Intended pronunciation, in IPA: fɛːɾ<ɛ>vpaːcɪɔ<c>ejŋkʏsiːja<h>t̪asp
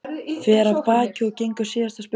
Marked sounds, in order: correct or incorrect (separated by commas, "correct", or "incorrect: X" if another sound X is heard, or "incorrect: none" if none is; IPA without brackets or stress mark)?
incorrect: a, correct, incorrect: s